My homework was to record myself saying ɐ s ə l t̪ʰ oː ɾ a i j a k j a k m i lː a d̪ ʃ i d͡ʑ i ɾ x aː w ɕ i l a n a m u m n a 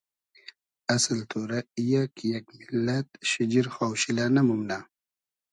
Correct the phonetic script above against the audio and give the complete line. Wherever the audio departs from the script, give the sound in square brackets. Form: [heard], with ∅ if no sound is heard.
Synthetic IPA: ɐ s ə l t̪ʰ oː ɾ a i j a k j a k m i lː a [t̪] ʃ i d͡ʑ i ɾ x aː w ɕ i l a n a m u m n a